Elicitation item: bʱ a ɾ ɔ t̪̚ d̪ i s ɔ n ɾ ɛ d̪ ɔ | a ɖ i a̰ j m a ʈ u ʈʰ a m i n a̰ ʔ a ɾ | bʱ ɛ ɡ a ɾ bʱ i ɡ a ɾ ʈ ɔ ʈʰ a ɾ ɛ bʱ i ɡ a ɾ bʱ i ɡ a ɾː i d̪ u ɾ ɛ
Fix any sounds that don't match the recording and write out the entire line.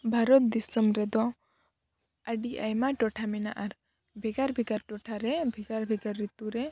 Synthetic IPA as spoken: bʱ a ɾ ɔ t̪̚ d̪ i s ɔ m ɾ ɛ d̪ ɔ | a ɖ i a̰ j m a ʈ ɔ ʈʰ a m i n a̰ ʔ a ɾ | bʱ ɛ ɡ a ɾ bʱ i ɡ a ɾ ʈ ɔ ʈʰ a ɾ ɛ bʱ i ɡ a ɾ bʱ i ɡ a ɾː i t̪ u ɾ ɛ